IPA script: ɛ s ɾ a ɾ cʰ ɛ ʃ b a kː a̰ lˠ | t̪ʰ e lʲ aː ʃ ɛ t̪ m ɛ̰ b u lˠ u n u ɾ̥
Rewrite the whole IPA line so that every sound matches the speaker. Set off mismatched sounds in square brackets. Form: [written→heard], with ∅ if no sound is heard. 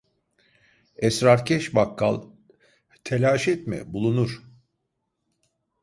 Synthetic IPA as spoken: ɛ s ɾ a ɾ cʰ ɛ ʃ b a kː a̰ lˠ | t̪ʰ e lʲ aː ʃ ɛ t̪ m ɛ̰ b u lˠ u n u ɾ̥